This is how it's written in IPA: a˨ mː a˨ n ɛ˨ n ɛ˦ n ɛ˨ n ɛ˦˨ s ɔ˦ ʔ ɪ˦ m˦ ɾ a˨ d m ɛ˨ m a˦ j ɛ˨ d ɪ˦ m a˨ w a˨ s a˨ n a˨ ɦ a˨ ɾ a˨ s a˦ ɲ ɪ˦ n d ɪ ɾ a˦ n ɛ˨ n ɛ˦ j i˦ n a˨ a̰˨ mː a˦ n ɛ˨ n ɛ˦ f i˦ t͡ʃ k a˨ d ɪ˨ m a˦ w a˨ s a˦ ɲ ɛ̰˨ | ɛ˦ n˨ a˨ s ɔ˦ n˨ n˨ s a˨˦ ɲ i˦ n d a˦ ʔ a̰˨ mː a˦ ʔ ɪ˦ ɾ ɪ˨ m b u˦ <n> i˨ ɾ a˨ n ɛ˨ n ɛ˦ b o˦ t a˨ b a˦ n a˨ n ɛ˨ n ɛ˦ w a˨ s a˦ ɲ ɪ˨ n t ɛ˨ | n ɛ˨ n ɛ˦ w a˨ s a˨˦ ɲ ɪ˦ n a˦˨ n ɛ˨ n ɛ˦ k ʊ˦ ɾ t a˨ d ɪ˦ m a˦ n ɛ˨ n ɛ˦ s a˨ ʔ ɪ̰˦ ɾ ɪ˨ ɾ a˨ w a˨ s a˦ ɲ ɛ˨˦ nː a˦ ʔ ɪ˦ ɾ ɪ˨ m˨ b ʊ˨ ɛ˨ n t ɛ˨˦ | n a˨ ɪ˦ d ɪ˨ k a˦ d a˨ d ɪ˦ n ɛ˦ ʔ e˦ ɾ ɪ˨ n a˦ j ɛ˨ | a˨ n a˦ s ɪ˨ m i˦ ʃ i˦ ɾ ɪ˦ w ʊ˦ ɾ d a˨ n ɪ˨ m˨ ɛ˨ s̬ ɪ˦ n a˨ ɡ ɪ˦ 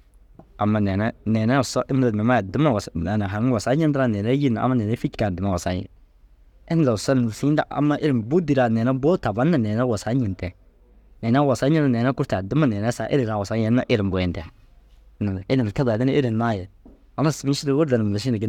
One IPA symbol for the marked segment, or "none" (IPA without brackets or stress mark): d